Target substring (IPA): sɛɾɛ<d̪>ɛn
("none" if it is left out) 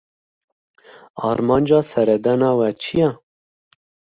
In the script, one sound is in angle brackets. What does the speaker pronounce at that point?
d̪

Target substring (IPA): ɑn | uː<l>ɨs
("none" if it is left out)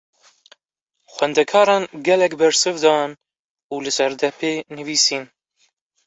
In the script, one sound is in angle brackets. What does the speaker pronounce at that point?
l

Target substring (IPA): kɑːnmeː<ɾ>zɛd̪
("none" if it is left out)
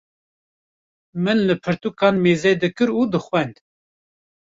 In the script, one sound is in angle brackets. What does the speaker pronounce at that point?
none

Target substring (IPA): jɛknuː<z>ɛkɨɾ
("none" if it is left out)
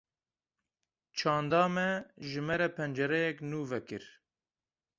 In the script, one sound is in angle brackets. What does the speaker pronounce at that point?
v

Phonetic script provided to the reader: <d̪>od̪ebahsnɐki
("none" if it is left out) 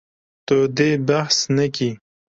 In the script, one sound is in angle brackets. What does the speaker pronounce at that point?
t̪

